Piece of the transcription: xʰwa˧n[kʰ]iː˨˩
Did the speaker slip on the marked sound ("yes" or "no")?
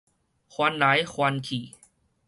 no